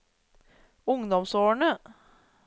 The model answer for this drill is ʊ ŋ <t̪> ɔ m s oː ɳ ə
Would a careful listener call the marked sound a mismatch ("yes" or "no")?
yes